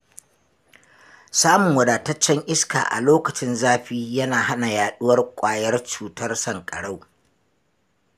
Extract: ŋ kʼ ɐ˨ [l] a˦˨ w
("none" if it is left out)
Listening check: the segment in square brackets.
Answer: ɽ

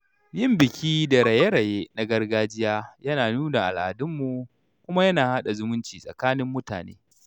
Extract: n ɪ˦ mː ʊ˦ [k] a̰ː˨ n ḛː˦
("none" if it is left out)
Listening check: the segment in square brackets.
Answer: t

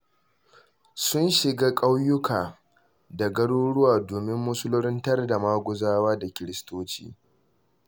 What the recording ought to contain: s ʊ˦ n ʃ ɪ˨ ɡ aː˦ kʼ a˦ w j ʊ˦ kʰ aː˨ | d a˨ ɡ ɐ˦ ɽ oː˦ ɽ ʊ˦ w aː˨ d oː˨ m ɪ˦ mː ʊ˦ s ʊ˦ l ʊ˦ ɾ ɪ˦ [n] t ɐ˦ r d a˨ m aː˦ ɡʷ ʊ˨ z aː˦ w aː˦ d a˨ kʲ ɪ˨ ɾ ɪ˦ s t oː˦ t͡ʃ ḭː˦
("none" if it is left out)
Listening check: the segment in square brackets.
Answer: n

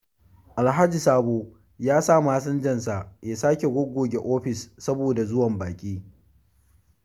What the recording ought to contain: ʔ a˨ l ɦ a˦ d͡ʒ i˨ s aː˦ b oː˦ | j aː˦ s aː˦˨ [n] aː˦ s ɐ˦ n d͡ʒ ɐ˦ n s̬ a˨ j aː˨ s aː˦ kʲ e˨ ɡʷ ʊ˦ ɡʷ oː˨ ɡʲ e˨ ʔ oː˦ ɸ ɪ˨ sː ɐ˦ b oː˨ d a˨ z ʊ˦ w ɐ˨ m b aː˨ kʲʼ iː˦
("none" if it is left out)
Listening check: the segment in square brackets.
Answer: m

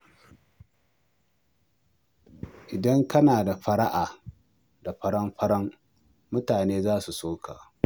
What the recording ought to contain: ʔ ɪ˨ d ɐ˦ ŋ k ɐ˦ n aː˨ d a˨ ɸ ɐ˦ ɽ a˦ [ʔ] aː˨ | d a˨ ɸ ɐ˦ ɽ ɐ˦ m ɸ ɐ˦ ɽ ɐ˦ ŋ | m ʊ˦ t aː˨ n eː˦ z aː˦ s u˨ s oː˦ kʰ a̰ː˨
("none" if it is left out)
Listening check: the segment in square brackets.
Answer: ʔ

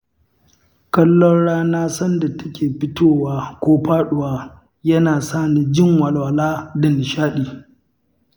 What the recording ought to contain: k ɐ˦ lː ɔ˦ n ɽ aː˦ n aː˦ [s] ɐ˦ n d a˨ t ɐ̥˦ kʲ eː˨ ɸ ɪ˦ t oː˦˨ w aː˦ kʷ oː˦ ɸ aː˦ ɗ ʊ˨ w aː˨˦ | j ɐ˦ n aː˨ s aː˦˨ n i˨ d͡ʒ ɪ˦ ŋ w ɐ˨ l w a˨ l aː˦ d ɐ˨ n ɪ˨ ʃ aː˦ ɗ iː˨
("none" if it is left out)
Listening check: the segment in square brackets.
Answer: s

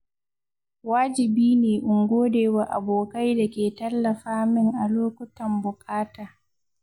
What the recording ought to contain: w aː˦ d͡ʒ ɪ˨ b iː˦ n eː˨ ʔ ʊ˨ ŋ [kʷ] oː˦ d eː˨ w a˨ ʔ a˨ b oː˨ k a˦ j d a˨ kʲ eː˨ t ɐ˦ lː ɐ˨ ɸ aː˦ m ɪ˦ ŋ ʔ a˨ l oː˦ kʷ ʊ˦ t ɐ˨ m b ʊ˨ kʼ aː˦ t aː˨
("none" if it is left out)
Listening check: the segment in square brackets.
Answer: ɡʷ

